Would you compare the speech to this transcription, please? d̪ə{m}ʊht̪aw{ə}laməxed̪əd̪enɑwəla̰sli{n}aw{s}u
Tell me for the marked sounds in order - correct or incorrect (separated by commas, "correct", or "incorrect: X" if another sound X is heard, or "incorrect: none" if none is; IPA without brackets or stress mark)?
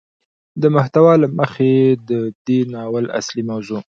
correct, incorrect: ɑ, incorrect: m, incorrect: z